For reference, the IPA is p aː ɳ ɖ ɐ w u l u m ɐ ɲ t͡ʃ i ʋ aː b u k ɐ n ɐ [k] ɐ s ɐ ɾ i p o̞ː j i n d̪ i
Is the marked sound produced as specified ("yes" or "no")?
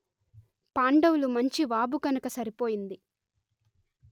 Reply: yes